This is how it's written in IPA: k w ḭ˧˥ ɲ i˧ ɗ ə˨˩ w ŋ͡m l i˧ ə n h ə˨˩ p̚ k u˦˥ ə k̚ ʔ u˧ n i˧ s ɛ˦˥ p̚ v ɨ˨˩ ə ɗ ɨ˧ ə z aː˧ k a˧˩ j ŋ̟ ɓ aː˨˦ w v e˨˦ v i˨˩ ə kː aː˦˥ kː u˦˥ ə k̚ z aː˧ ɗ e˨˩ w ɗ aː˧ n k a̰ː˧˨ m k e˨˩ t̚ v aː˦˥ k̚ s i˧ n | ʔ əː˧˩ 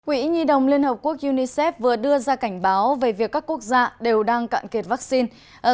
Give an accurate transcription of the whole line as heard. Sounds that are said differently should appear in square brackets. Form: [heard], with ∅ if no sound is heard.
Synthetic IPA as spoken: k w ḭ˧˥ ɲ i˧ ɗ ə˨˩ w ŋ͡m l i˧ ə n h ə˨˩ p̚ k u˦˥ ə k̚ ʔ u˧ n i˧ s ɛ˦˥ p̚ v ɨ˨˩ ə ɗ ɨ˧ ə z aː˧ k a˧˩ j ŋ̟ ɓ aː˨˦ w v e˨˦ v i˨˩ ə kː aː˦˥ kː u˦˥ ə k̚ z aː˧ ɗ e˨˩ w ɗ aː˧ [ŋ] k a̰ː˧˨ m k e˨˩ t̚ v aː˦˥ k̚ s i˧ n | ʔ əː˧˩